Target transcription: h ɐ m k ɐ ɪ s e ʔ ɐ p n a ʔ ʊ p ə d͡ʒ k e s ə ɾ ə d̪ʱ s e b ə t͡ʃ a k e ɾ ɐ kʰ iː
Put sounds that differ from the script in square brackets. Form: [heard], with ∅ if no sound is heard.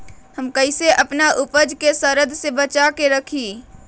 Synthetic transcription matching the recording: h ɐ m k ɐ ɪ s e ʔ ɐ p n a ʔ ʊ p ə d͡ʒ k e s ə ɾ ə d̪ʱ s e b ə t͡ʃ a k e ɾ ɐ kʰ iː